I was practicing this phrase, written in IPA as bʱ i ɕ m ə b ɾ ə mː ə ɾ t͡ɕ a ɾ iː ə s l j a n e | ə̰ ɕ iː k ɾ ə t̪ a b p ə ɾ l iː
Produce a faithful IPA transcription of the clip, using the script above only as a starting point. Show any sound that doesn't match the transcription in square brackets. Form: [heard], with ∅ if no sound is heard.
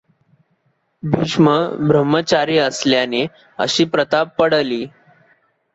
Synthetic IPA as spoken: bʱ i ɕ m ə b ɾ ə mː ə [∅] t͡ɕ a ɾ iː ə s l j a n e | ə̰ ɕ iː [p] ɾ ə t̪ a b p ə [ɽ] l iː